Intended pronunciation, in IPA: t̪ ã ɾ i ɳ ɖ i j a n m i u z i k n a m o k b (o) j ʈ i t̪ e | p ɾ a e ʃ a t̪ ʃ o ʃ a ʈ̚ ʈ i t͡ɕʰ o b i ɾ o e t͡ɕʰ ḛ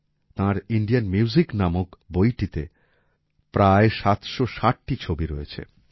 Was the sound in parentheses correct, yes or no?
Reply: yes